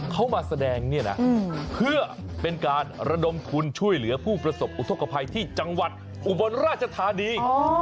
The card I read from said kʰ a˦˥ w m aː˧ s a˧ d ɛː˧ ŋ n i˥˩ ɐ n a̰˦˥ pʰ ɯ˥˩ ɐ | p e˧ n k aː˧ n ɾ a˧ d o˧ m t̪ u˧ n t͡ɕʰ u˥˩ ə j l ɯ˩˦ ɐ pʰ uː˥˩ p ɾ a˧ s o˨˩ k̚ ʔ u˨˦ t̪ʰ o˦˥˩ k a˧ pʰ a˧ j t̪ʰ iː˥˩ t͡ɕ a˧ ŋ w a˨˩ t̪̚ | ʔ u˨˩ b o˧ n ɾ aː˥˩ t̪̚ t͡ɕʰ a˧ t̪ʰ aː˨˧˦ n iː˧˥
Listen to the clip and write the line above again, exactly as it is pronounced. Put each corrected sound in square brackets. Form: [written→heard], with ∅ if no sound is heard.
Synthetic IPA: kʰ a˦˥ w m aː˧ s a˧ d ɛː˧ ŋ n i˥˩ ɐ n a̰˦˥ pʰ ɯ˥˩ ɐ | p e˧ n k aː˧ n ɾ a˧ d o˧ m [t̪→t̪ʰ] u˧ n t͡ɕʰ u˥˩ ə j l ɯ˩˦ ɐ pʰ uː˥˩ p ɾ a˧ s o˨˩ [k̚→p̚] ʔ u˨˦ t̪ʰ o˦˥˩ k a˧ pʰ a˧ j t̪ʰ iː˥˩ t͡ɕ a˧ ŋ w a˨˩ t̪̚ | ʔ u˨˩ b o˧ n ɾ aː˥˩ t̪̚ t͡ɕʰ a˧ t̪ʰ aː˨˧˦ n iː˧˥